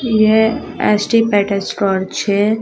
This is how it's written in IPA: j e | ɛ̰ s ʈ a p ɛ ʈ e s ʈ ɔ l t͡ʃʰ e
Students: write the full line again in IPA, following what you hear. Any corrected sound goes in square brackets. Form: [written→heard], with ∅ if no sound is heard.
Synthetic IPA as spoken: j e | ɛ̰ s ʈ [a→i] p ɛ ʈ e s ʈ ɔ [l→ɾ] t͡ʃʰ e